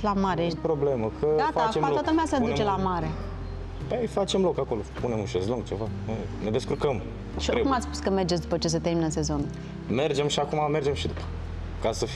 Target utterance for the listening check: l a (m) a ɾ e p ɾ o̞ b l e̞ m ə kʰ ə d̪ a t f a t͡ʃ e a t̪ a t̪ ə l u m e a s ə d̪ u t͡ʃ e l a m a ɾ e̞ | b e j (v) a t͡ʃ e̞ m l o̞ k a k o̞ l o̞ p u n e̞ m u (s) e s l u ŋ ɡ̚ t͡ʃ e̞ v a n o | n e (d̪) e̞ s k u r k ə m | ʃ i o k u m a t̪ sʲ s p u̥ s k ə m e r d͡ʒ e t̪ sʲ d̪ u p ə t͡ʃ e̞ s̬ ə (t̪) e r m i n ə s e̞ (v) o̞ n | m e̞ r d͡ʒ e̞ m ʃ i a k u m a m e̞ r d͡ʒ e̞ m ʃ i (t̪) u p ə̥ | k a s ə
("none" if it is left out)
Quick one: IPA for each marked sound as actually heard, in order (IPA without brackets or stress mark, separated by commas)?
m, f, ʃ, d̪, t̪, z, d̪